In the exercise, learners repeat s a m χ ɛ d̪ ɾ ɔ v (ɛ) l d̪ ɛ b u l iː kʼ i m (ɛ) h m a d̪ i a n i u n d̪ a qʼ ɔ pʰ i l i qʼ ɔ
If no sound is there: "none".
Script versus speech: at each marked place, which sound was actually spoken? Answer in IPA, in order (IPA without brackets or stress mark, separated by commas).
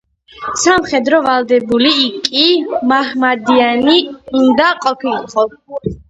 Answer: a, a